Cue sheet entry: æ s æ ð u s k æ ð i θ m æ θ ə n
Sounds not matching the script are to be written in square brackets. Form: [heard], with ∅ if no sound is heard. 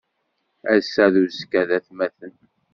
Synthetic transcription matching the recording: æ s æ ð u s k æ ð [æ] θ m æ θ ə n